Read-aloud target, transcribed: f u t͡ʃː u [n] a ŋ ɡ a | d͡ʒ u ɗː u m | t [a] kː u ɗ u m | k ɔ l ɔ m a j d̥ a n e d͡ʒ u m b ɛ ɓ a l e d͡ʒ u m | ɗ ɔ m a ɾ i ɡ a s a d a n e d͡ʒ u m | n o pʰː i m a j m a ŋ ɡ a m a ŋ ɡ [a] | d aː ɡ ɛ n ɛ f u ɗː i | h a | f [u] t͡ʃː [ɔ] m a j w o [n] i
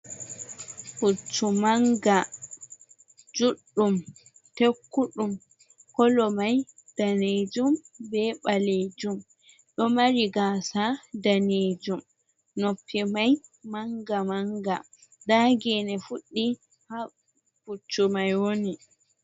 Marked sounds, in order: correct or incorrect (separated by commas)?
incorrect, incorrect, correct, correct, incorrect, correct